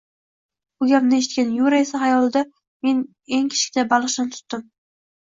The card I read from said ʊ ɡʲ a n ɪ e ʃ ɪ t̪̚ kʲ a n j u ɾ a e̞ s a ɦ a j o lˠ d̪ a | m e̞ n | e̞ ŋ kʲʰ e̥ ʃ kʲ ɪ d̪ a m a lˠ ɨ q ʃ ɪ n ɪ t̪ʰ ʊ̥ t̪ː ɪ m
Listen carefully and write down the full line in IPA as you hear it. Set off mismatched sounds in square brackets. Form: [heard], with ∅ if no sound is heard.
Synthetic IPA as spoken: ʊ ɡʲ a n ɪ e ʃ ɪ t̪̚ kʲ a n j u ɾ a e̞ s a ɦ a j [ɒ] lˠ d̪ a | m e̞ n | e̞ ŋ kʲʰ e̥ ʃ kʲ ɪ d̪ a [b] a lˠ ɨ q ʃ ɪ n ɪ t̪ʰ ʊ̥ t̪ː ɪ m

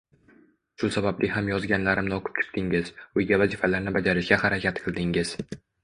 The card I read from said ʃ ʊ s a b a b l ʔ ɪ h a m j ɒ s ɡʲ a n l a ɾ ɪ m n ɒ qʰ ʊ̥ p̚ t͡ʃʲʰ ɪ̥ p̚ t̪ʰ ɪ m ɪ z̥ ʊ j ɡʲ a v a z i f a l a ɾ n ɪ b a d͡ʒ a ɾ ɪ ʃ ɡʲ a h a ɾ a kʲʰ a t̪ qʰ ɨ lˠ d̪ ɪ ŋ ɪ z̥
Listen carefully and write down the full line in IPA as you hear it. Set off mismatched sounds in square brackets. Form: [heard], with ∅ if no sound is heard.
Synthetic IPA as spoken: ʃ ʊ s a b a b l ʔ ɪ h a m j ɒ [z] ɡʲ a n l a ɾ ɪ m n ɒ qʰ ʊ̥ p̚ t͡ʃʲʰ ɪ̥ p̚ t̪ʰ ɪ [ŋ] ɪ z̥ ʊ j ɡʲ a v a z i f a l a ɾ n ɪ b a d͡ʒ a ɾ ɪ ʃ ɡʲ a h a ɾ a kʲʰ a t̪ qʰ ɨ lˠ d̪ ɪ ŋ ɪ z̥

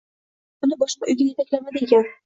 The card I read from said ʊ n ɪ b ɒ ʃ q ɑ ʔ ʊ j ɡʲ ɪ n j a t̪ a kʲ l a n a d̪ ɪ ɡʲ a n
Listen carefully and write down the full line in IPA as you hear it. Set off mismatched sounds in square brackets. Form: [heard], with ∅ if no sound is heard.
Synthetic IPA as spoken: ʊ n ɪ b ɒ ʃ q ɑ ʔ ʊ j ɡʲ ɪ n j [e] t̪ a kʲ l a [m] a d̪ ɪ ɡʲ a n

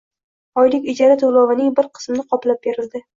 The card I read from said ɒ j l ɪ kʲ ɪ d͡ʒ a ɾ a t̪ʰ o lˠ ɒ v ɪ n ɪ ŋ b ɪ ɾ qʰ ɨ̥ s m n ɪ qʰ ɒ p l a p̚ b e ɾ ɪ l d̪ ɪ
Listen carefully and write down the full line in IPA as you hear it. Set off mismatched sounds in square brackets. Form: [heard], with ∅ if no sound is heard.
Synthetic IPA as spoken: ɒ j l ɪ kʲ ɪ d͡ʒ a ɾ a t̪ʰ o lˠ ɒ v ɪ n ɪ ŋ b ɪ ɾ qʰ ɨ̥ s m n ɪ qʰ ɒ p l a p̚ b e ɾ ɪ l d̪ ɪ

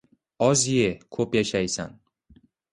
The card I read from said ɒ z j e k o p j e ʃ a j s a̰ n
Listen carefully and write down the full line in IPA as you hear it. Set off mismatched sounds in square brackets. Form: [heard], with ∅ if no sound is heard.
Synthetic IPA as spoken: ɒ z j e [kʰ] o p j [a] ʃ a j s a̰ n

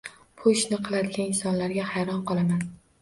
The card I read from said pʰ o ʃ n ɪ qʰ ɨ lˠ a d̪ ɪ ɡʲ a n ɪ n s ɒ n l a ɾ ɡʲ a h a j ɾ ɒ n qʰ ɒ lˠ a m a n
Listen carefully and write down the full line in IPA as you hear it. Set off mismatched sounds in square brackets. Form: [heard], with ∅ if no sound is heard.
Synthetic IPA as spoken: pʰ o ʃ n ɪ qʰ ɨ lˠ a d̪ ɪ ɡʲ a n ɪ n s ɒ n l a ɾ ɡʲ a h a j ɾ ɒ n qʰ ɒ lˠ a m a n

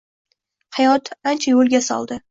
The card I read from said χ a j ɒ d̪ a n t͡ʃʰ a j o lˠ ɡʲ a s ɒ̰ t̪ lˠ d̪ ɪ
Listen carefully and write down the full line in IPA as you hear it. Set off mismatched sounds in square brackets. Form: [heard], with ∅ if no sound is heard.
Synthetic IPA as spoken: [h] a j ɒ [t̪] a n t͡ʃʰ a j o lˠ ɡʲ a s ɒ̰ [∅] lˠ d̪ ɪ

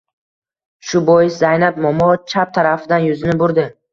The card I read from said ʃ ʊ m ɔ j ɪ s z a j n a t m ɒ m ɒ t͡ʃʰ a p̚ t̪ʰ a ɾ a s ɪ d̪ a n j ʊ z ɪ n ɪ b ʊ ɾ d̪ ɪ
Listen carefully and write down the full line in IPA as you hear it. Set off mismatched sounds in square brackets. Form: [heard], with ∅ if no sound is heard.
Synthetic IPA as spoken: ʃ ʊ [b] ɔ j ɪ s z a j n a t m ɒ m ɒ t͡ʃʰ a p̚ t̪ʰ a ɾ a [f] ɪ d̪ a n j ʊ z ɪ n ɪ b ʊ ɾ d̪ ɪ

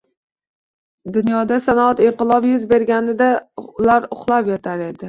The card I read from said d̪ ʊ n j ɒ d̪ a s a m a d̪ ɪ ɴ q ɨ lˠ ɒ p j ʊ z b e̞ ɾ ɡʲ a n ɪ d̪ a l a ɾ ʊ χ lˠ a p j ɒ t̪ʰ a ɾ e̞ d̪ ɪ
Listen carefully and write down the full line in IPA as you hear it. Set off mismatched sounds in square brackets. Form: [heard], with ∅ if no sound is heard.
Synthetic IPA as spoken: d̪ ʊ n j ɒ d̪ a s a [n] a [t̪] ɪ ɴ q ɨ lˠ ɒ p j ʊ z b e̞ ɾ ɡʲ a n ɪ d̪ a l a ɾ ʊ χ lˠ a p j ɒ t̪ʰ a ɾ e̞ d̪ ɪ

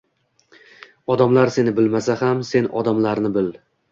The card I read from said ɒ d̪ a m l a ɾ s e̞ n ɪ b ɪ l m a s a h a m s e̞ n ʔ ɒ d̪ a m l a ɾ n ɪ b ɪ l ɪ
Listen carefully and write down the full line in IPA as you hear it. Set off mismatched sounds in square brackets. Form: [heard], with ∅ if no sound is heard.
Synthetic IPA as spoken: ɒ d̪ a m l a ɾ s e̞ n ɪ b ɪ l m a s a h a m s e̞ n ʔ ɒ d̪ a m l a ɾ n ɪ b ɪ l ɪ

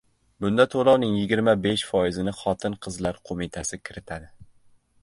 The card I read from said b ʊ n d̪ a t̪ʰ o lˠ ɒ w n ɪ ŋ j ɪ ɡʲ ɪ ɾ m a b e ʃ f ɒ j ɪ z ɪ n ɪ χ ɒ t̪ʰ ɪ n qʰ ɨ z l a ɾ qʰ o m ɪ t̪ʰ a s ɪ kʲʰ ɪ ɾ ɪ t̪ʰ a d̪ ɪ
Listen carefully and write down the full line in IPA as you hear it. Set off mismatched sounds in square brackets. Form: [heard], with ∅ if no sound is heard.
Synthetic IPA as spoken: b ʊ n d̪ a t̪ʰ o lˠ ɒ w n ɪ ŋ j ɪ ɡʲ ɪ ɾ m a b e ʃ f ɒ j ɪ z ɪ n ɪ χ ɒ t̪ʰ ɪ n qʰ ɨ z l a ɾ qʰ o m ɪ t̪ʰ a s ɪ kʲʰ ɪ ɾ ɪ t̪ʰ a d̪ ɪ

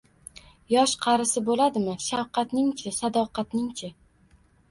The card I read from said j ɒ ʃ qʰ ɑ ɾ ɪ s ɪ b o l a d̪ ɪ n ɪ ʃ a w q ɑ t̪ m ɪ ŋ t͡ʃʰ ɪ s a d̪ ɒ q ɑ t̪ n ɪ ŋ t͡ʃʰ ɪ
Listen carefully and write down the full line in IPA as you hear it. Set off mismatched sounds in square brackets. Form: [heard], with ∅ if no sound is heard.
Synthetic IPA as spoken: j ɒ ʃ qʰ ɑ ɾ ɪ s ɪ b o l a d̪ ɪ [m] ɪ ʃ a w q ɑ t̪ [n] ɪ ŋ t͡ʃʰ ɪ s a d̪ ɒ q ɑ t̪ n ɪ ŋ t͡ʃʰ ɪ

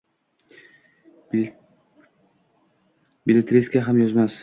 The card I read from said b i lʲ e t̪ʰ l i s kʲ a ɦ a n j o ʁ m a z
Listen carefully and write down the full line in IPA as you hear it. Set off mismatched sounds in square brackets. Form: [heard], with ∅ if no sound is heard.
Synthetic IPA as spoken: b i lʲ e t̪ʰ [ɾ] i s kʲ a ɦ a [m] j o [z] m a [s]

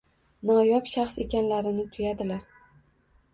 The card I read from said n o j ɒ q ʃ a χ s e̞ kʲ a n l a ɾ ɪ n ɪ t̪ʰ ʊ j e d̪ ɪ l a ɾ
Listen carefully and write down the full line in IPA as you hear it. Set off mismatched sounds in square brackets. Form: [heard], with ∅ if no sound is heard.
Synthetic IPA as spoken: n [ɒ] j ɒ [p] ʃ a χ s e̞ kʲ a n l a ɾ ɪ n ɪ t̪ʰ ʊ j [a] d̪ ɪ l a ɾ

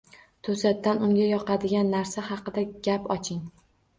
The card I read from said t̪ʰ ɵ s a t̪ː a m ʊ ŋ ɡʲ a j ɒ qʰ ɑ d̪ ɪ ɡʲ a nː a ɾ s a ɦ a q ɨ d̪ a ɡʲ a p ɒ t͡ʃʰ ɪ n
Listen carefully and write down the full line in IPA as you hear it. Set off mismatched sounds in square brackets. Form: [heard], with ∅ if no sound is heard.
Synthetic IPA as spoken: t̪ʰ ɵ s a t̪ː a [n] ʊ ŋ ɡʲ a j ɒ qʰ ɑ d̪ ɪ ɡʲ a nː a ɾ s a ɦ [ɑ] q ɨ d̪ a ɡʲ a p ɒ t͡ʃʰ ɪ [ŋ]

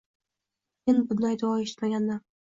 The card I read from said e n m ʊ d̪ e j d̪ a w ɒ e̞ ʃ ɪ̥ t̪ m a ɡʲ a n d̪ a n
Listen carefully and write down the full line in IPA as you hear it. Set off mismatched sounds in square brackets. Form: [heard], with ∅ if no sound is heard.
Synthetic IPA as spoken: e n [b] ʊ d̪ [a] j d̪ a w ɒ e̞ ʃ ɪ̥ t̪ m a ɡʲ a n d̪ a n

